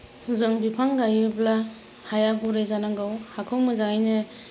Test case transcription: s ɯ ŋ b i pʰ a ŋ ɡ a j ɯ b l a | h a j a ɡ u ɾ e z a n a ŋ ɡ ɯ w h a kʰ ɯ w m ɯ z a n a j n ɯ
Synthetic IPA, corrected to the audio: z ɯ ŋ b i pʰ a ŋ ɡ a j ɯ b l a | h a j a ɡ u ɾ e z a n a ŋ ɡ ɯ w h a kʰ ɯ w m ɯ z a ŋ a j n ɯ